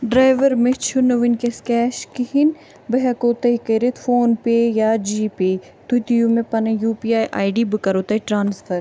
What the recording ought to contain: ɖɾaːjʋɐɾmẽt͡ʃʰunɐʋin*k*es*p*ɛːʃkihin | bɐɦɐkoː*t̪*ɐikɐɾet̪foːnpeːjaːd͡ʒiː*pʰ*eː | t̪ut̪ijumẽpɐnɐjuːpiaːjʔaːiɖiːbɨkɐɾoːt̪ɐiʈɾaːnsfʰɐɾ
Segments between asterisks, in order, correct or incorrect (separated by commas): correct, incorrect, correct, incorrect